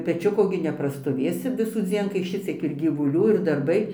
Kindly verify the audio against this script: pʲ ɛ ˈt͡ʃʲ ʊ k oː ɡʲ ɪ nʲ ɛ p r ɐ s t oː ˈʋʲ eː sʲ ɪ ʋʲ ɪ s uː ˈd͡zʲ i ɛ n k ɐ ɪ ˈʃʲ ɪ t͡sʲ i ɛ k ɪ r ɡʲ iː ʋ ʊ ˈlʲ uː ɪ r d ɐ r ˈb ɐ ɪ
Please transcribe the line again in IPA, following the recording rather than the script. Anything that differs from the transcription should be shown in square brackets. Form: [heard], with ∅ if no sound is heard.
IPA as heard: pʲ ɛ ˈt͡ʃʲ ʊ k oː ɡʲ ɪ nʲ ɛ p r ɐ s t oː ˈʋʲ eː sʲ ɪ ʋʲ ɪ s uː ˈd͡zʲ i ɛ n k ɐ ɪ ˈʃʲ ɪ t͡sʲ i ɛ k ɪ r ɡʲ iː ʋ ʊ ˈlʲ uː ɪ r d ɐ r ˈb ɐ ɪ